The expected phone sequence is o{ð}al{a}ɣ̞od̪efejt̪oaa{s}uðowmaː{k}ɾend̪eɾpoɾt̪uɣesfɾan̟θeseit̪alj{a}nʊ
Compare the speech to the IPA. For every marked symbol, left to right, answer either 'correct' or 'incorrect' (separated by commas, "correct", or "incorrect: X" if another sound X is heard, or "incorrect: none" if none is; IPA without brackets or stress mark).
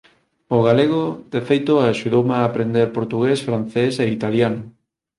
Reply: incorrect: ɣ, incorrect: e, incorrect: ʃ, incorrect: p, correct